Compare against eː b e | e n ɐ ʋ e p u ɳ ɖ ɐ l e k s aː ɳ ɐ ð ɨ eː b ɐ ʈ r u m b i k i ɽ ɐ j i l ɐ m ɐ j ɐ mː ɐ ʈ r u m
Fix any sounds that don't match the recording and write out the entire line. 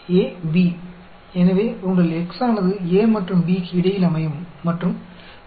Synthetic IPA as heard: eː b i | e n ɐ ʋ e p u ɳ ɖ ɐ l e k s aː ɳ ɐ ð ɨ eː m ɐ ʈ r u m b i k i ɽ ɐ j i l ɐ m ɐ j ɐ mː ɐ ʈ r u m